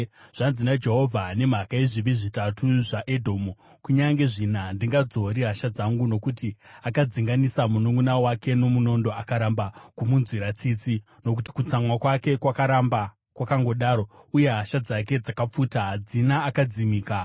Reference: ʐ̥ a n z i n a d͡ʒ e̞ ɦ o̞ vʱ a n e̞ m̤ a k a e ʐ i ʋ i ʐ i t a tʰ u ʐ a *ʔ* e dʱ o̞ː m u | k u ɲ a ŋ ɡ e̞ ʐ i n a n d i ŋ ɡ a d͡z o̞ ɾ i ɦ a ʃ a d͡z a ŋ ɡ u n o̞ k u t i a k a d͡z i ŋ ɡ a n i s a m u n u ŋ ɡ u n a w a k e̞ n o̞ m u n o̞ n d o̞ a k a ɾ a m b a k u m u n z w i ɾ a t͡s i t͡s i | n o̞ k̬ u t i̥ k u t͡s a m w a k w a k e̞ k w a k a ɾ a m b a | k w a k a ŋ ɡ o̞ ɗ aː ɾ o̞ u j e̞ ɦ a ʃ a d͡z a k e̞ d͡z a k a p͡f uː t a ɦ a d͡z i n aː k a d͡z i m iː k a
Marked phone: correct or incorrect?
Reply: correct